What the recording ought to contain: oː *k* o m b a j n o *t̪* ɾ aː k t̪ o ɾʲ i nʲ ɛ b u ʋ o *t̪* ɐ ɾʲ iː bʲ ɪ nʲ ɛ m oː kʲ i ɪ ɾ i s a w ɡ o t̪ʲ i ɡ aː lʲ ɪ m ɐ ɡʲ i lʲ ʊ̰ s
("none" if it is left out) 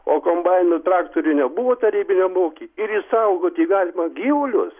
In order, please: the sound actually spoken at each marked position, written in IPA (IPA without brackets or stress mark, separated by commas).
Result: k, t̪, t̪